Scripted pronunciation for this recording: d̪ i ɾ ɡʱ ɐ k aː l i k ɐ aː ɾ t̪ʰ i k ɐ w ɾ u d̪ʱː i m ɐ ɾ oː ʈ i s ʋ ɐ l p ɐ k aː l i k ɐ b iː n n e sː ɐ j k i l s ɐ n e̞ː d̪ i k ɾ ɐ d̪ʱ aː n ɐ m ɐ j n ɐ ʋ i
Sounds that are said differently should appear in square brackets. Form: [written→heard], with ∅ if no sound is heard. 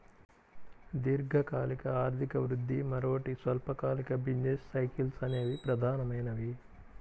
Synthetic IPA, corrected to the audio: d̪ i ɾ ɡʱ ɐ k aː l i k ɐ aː ɾ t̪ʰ i k ɐ [w→ʋ] ɾ u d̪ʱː i m ɐ ɾ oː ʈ i s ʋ ɐ l p ɐ k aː l i k ɐ b [iː→i] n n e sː ɐ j k i l s ɐ n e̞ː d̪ i [k→p] ɾ ɐ d̪ʱ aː n ɐ m ɐ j n ɐ ʋ i